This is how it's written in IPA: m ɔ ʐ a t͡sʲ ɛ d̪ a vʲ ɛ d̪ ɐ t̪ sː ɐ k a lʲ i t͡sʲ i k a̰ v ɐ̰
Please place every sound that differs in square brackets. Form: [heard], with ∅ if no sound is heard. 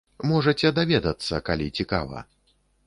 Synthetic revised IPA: m ɔ ʐ [ɐ] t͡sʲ ɛ d̪ a vʲ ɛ d̪ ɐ t̪ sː ɐ k a lʲ i t͡sʲ i k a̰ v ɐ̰